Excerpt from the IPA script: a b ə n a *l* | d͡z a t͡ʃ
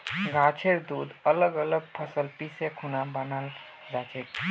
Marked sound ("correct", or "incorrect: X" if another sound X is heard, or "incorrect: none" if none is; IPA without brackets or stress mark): correct